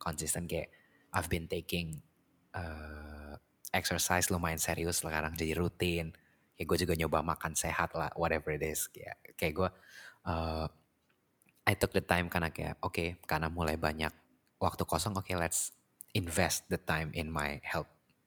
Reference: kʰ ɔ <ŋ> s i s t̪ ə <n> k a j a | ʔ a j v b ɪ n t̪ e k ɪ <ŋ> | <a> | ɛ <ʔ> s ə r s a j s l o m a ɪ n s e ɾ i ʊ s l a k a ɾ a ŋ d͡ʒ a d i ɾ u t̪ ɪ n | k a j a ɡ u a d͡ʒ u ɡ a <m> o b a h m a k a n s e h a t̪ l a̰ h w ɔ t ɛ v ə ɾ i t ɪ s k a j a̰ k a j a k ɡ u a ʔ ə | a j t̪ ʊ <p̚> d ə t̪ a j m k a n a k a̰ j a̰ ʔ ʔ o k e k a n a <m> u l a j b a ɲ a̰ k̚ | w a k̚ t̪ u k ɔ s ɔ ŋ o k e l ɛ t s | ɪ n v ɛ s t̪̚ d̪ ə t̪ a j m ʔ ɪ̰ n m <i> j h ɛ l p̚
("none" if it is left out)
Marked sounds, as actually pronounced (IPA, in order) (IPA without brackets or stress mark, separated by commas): n, n, ŋ, ə, k, ɲ, k̚, m, a